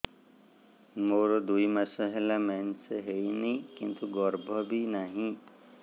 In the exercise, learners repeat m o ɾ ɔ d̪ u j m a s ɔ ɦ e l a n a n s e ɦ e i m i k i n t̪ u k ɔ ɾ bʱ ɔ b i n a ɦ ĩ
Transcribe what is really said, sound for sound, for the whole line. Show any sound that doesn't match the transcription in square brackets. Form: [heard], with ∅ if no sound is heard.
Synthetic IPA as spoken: m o ɾ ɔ d̪ u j m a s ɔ ɦ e l a [m] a n s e ɦ e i [n] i k i n t̪ u [ɡ] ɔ ɾ bʱ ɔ b i n a ɦ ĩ